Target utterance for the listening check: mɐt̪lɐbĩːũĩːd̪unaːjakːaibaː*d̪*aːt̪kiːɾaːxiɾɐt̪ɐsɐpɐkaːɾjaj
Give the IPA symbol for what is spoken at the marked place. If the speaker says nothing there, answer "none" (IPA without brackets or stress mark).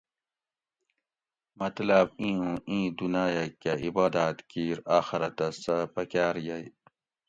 d̪